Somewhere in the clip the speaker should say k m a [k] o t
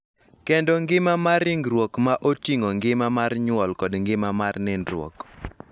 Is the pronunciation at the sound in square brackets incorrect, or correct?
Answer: incorrect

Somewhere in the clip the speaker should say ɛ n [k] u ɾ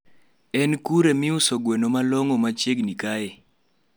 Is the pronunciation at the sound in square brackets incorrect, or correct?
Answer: correct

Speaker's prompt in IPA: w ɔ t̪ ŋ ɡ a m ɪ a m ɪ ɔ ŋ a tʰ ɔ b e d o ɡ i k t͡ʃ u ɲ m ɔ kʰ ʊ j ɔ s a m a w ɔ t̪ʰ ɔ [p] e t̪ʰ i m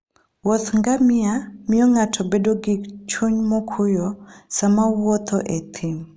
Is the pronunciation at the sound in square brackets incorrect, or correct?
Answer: incorrect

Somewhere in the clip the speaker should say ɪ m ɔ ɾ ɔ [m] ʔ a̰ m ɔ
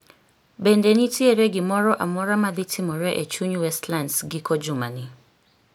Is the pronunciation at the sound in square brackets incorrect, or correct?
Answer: incorrect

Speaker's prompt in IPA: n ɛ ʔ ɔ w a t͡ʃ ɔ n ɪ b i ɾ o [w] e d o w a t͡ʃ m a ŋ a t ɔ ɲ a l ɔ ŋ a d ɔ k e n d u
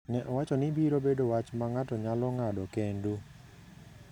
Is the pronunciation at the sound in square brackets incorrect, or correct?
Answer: incorrect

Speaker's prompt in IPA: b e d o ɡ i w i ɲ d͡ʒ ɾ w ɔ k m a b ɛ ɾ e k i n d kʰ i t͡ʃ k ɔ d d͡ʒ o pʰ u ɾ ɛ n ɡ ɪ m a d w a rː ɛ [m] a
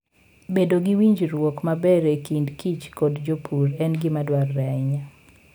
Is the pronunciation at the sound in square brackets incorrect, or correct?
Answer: incorrect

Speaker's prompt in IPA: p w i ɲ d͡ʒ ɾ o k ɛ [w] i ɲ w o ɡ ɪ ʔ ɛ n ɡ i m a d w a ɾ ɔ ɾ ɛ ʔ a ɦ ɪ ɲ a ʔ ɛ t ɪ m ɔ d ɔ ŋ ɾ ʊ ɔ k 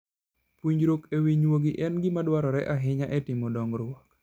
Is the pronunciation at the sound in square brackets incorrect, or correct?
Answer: correct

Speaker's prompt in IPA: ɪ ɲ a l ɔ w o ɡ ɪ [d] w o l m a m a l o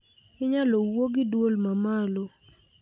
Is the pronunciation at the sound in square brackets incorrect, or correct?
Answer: correct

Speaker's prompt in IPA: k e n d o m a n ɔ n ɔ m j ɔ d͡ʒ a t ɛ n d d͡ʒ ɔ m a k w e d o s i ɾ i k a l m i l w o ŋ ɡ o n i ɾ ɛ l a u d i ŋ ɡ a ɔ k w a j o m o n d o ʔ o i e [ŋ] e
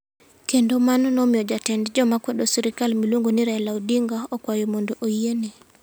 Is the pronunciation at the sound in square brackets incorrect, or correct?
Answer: incorrect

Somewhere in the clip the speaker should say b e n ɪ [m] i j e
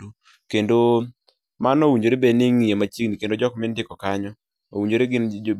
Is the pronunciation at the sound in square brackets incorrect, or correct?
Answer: incorrect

